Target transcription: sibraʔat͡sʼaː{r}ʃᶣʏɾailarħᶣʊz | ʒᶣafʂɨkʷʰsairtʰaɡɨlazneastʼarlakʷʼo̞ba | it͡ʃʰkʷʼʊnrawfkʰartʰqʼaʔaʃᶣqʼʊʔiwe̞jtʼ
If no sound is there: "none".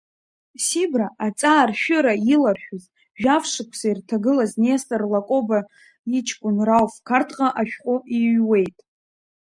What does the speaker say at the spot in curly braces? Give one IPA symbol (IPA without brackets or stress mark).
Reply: r